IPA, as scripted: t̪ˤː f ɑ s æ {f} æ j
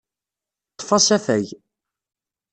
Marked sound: correct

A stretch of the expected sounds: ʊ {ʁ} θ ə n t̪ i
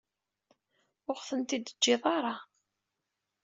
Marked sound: correct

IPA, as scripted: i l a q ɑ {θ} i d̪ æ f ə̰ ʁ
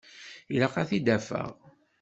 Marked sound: correct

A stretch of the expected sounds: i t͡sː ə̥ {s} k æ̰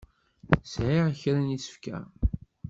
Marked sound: incorrect: f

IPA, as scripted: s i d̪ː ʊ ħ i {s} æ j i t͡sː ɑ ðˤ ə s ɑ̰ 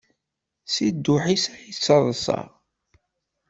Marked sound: correct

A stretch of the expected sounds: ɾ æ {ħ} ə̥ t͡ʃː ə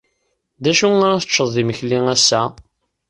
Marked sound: incorrect: θ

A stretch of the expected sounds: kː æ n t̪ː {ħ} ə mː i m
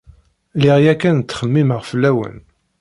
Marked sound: incorrect: χ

